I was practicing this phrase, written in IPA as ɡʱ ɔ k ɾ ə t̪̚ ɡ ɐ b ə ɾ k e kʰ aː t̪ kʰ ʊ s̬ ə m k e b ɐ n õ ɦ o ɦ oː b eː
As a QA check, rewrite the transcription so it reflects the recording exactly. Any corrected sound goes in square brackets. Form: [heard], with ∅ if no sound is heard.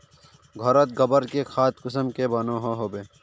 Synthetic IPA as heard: ɡʱ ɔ [∅] ɾ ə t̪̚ ɡ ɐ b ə ɾ k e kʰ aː t̪ [k] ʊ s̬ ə m k e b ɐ n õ ɦ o ɦ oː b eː